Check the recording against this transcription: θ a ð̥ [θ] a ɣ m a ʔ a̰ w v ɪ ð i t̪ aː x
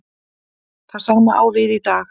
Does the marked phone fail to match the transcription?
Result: yes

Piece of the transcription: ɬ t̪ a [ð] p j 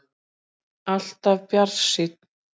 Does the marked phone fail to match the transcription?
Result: yes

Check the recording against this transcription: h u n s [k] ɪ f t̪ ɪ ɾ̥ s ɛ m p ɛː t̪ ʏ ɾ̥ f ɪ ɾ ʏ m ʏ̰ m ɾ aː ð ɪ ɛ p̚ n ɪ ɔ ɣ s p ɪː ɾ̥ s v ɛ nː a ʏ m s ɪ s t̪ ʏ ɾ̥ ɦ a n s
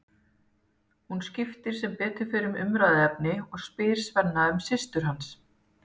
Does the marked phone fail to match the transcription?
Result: yes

